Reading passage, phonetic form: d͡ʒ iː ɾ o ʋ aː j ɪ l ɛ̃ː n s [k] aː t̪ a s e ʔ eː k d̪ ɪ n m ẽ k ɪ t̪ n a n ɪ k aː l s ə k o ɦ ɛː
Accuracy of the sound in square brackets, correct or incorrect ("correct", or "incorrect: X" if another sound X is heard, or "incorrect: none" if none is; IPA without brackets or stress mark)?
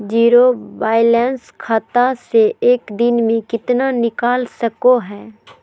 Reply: incorrect: kʰ